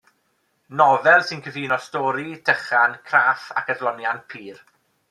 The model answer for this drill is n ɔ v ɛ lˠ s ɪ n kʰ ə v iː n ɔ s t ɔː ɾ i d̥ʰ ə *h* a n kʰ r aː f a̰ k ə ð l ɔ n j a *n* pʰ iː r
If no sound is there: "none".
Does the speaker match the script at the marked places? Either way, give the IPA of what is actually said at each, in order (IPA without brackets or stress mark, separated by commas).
χ, n